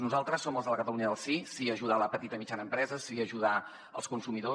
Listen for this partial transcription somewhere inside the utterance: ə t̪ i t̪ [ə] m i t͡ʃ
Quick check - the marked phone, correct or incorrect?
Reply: correct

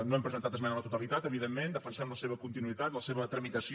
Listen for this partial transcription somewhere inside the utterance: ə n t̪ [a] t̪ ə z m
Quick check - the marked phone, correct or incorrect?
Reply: correct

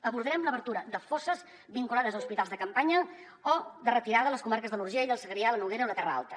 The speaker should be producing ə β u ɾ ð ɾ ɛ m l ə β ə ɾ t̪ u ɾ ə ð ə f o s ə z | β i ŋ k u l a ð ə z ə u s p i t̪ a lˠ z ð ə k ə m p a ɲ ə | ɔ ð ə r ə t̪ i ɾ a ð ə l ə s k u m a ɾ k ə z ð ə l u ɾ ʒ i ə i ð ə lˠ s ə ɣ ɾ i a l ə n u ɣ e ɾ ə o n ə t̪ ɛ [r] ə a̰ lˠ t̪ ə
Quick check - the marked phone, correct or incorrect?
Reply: correct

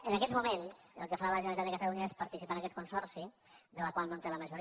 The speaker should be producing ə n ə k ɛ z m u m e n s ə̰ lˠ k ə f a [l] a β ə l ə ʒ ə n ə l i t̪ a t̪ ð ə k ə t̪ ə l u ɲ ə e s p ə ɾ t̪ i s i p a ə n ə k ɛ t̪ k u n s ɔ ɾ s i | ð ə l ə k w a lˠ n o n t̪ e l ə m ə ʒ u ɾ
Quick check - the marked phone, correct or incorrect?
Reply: incorrect: ɾ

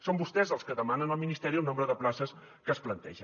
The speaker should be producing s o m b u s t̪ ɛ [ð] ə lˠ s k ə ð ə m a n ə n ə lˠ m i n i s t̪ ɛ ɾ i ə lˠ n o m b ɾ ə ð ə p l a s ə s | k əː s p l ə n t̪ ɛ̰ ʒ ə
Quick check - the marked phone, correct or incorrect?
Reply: incorrect: z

